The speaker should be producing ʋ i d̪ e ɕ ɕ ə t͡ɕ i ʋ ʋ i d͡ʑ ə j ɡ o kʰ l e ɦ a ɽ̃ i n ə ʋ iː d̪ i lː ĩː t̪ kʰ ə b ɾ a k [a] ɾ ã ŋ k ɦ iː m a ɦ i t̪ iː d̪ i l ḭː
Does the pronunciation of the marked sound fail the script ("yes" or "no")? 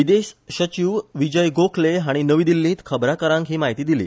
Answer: yes